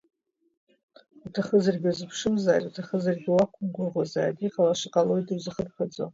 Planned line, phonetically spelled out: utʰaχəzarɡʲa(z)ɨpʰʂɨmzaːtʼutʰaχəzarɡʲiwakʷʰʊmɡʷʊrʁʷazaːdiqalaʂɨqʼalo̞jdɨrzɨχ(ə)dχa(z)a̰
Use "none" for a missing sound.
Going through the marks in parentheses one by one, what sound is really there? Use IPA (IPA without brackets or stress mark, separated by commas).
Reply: z, ə, d͡z